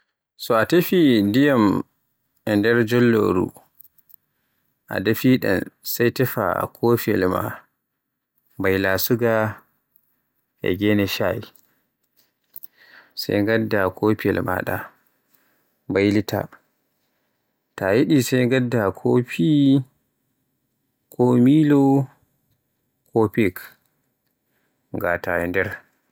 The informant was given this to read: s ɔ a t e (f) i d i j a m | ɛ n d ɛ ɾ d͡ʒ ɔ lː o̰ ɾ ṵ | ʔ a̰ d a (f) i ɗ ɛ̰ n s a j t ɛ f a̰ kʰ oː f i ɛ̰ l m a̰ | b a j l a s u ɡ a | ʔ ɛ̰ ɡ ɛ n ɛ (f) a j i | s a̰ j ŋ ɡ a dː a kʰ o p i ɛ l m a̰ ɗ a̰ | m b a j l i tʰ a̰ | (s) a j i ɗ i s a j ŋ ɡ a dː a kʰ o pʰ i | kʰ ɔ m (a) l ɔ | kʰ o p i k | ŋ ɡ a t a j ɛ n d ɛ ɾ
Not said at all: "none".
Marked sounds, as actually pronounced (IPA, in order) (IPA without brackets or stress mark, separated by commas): f, f, ʃ, t, i